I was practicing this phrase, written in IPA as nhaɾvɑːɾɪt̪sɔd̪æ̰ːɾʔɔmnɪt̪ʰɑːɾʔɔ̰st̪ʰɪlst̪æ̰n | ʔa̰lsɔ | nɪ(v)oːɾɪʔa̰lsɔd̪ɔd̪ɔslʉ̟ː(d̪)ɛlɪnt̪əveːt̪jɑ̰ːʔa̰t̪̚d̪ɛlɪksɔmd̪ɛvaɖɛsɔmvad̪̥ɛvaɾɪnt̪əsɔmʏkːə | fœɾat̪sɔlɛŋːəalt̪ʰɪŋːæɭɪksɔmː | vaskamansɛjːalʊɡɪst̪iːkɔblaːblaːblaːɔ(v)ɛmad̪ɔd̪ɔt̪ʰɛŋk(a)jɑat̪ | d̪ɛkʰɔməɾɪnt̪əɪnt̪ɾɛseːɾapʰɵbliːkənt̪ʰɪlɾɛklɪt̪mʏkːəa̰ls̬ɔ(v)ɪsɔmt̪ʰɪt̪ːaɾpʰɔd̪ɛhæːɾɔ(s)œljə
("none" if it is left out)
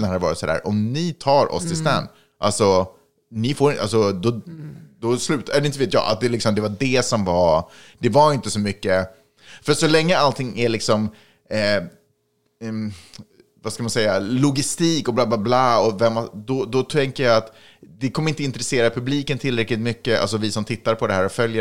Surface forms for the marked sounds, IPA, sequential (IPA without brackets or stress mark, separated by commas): f, t̪, v, ə, v, f